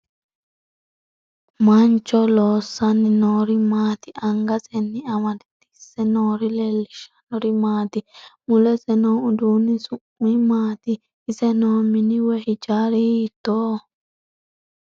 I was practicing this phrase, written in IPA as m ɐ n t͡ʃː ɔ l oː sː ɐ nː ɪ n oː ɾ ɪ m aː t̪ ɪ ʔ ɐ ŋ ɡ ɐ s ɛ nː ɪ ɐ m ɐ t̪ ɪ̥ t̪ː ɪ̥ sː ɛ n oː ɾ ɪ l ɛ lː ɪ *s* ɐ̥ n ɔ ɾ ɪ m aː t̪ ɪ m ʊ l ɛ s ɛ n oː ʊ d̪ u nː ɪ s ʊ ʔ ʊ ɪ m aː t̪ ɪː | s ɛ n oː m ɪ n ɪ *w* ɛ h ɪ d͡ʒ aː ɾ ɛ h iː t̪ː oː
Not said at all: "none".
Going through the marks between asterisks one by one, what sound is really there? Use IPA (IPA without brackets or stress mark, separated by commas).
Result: ʃ, w